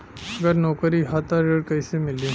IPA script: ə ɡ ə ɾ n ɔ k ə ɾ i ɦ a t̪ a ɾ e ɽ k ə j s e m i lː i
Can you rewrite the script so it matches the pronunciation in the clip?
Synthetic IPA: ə ɡ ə ɾ n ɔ k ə ɾ i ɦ a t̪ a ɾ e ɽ k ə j s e m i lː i